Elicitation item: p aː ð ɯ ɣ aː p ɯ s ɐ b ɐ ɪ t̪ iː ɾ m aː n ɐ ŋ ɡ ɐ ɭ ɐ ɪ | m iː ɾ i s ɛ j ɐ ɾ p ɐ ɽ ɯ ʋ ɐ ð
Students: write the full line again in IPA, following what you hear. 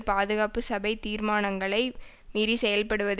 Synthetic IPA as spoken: p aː ð ɯ ɣ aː p ɯ s ɐ b ɐ ɪ t̪ iː ɾ m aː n ɐ ŋ ɡ ɐ ɭ ɐ ɪ | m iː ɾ i s ɛ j ɐ l p ɐ ɽ ɯ ʋ ɐ ð